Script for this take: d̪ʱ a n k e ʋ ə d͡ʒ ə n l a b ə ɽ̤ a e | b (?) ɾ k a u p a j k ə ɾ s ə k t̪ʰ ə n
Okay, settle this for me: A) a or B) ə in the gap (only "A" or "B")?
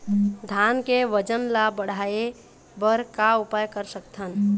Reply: B